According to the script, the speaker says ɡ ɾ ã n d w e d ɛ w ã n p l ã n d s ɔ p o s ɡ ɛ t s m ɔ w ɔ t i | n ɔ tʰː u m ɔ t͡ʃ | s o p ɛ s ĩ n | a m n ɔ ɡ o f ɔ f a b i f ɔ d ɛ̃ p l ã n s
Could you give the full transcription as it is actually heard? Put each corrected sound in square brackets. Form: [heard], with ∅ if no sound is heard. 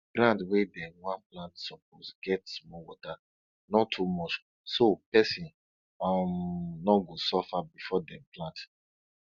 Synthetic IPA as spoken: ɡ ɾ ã n d w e d ɛ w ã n p l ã n [t] s ɔ p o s ɡ ɛ t s m ɔ w ɔ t [a] | n ɔ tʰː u m ɔ t͡ʃ | s o p ɛ s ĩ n | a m n ɔ ɡ o [s] ɔ f a b i f ɔ d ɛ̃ p l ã n [t]